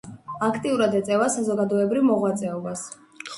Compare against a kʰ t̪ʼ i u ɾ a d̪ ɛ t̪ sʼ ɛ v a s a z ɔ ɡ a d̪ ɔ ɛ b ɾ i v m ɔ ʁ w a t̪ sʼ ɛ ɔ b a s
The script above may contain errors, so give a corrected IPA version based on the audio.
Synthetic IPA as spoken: a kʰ t̪ʼ i u ɾ a d̪ ɛ t̪ sʼ ɛ v a s a z ɔ ɡ a d̪ ɔ ɛ b ɾ i v m ɔ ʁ w a t̪ sʼ ɛ ɔ b a s